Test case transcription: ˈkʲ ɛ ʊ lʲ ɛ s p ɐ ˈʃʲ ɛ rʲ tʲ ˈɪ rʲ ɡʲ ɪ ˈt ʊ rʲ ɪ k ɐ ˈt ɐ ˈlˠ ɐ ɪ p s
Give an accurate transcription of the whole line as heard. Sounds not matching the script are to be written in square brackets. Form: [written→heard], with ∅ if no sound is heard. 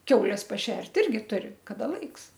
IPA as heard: ˈkʲ ɛ ʊ lʲ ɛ s p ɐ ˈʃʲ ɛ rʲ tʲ ˈɪ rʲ ɡʲ ɪ ˈt ʊ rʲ ɪ k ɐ [ˈt→ˈd] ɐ ˈlˠ ɐ ɪ [p→k] s